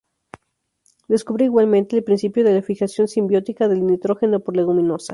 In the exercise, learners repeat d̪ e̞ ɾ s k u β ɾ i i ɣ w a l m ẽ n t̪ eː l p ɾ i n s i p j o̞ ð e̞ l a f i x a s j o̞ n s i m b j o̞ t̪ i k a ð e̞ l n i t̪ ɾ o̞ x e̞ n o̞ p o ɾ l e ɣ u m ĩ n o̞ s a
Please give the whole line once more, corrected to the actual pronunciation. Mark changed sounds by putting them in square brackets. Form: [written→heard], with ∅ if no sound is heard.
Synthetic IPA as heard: d̪ e̞ [ɾ→∅] s k u β ɾ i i ɣ w a l m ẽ n t̪ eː l p ɾ i n s i p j o̞ ð e̞ l a f i x a s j o̞ n s i m b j o̞ t̪ i k a ð e̞ l n i t̪ ɾ o̞ x e̞ n o̞ p o ɾ l e ɣ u m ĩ n o̞ s a